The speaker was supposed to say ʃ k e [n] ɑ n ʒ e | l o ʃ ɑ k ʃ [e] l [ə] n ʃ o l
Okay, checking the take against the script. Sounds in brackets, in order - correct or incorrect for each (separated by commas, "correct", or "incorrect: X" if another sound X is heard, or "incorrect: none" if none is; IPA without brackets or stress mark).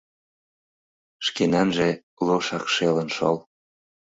correct, correct, correct